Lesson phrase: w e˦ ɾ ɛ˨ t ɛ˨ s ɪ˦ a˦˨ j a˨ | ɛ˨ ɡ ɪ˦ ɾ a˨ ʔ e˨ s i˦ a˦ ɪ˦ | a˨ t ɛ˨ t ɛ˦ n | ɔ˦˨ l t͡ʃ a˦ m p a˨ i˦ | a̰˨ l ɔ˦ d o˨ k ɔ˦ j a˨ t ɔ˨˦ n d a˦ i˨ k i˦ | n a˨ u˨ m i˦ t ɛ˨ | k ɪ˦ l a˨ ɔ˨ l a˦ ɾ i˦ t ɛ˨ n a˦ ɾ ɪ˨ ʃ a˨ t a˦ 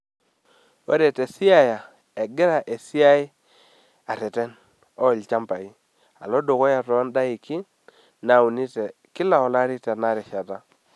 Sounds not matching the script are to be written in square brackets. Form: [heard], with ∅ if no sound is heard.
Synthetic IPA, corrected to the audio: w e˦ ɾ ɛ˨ t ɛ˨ s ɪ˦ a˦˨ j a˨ | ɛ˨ ɡ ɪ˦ ɾ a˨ ʔ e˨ s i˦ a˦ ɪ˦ | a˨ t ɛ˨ t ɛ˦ n | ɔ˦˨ l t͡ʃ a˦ m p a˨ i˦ | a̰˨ l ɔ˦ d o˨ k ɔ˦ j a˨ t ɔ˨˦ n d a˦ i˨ k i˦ | n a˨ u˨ [n] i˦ t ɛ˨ | k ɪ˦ l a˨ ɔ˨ l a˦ ɾ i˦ t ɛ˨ n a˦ ɾ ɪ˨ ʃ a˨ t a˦